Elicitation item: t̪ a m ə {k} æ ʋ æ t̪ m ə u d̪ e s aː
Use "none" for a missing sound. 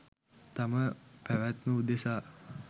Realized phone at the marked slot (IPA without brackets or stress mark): p